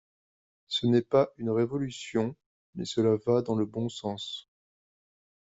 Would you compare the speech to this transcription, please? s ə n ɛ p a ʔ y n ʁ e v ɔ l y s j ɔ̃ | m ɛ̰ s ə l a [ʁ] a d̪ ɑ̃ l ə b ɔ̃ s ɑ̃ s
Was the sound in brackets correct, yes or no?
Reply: no